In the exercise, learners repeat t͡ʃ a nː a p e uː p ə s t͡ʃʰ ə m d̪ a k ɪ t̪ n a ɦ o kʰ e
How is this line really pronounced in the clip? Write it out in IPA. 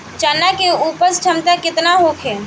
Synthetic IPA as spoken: t͡ʃ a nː a k e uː p ə s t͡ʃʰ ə m t̪ a k ɪ t̪ n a ɦ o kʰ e